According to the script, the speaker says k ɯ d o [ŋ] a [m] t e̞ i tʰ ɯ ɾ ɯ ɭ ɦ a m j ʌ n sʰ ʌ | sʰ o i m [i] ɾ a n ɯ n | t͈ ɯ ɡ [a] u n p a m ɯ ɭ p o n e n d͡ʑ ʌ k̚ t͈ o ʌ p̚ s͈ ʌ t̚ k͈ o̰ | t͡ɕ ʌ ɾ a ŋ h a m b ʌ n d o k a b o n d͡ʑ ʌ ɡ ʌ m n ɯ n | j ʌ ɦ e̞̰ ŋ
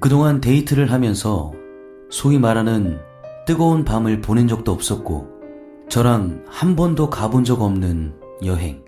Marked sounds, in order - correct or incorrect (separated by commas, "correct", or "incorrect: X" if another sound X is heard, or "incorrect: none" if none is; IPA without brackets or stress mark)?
correct, incorrect: n, incorrect: a, incorrect: ʌ